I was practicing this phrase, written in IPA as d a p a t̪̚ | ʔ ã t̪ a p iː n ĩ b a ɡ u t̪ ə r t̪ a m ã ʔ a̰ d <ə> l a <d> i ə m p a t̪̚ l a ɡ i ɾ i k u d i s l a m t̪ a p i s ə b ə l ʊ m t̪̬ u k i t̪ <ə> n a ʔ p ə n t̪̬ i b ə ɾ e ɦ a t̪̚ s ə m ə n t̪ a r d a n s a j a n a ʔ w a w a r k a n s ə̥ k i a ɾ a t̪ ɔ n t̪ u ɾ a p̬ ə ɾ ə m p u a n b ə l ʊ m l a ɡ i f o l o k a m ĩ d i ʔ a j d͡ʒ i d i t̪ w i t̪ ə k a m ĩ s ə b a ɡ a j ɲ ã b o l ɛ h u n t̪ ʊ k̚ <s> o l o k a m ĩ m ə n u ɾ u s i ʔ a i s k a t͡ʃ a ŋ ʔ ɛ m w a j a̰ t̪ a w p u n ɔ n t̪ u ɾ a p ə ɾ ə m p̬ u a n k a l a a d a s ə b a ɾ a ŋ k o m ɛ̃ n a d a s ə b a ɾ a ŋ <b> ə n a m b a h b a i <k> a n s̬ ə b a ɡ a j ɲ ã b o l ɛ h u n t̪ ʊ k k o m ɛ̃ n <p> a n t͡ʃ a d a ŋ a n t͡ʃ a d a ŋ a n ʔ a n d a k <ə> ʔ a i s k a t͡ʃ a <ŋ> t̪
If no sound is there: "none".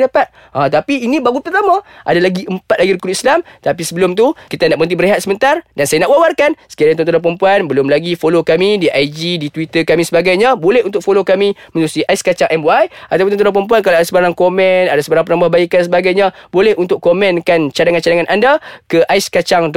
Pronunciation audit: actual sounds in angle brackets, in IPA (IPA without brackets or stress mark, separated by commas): a, ɡ, a, f, p, k, k, ə, ŋ